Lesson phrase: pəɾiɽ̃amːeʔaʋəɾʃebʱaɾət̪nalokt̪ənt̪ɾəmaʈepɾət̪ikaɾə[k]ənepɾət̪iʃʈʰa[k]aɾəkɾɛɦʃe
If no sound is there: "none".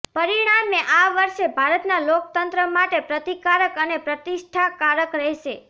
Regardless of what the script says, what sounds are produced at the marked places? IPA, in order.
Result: k, k

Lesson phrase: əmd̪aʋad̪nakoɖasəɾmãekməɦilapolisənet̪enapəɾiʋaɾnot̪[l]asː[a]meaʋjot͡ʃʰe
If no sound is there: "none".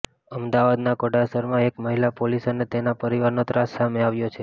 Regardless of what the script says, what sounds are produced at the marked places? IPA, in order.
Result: ɾ, a

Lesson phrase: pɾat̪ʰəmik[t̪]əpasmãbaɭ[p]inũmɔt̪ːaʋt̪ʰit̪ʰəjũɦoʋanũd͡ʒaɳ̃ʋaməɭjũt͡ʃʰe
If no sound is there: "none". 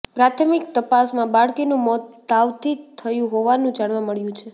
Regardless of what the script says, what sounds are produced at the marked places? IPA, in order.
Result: t̪, k

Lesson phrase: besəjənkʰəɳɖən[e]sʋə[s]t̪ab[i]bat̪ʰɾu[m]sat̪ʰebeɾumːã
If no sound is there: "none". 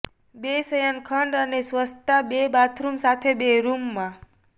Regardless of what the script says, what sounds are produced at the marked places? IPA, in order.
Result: e, s, e, m

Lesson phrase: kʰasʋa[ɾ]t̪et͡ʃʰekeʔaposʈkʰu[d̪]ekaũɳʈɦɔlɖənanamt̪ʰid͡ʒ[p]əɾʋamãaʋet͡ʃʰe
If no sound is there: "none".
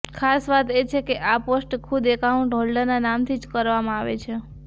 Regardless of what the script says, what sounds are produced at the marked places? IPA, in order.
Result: none, d̪, k

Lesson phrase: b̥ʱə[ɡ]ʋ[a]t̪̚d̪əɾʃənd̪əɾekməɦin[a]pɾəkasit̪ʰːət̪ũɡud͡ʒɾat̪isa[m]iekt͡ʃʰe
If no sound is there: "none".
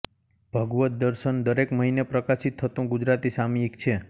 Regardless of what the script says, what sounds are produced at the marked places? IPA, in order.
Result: ɡ, ə, e, m

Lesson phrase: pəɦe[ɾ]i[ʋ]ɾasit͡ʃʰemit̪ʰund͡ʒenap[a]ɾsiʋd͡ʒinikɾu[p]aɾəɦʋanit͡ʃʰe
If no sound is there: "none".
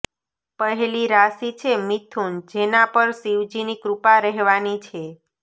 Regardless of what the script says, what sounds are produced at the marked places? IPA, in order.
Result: l, none, ə, p

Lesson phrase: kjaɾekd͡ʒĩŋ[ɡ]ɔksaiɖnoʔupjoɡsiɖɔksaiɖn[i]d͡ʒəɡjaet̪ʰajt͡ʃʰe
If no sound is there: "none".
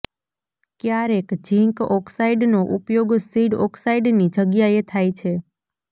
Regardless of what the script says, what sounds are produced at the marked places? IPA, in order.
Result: k, i

